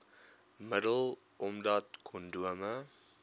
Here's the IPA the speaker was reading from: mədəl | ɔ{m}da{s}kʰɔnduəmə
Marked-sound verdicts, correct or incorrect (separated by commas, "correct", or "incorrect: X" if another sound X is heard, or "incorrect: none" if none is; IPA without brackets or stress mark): correct, incorrect: t